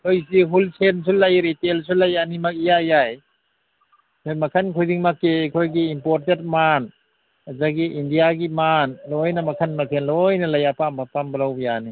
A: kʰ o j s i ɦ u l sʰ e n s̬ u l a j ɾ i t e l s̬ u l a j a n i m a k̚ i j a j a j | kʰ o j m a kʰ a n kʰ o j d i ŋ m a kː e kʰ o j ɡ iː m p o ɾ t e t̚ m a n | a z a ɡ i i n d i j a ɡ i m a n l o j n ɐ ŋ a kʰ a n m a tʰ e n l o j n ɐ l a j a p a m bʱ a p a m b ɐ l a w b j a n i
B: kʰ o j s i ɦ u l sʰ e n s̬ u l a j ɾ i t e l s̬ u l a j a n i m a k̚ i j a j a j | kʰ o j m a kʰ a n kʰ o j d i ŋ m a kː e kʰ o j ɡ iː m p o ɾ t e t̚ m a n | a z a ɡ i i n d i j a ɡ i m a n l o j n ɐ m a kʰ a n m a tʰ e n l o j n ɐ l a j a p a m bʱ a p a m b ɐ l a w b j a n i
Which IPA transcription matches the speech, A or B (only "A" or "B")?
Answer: B